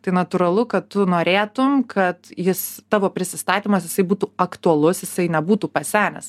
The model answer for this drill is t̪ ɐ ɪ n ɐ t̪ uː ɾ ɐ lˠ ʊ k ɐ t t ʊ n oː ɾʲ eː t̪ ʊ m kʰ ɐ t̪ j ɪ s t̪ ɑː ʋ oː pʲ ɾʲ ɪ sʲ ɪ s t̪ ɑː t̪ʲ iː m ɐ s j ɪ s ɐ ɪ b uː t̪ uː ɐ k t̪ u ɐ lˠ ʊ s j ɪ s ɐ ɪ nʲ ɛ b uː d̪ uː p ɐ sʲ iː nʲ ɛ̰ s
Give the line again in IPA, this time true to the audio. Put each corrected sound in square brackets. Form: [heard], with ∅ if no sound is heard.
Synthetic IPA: t̪ ɐ ɪ n ɐ t̪ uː ɾ ɐ lˠ ʊ k ɐ t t ʊ n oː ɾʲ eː t̪ ʊ m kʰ ɐ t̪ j ɪ s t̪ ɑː ʋ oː pʲ ɾʲ ɪ sʲ ɪ s t̪ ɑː t̪ʲ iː m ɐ s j ɪ s ɐ ɪ b uː t̪ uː ɐ k t̪ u ɐ lˠ ʊ s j ɪ s ɐ ɪ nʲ ɛ b uː [t̪] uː p ɐ sʲ [æː] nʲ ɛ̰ s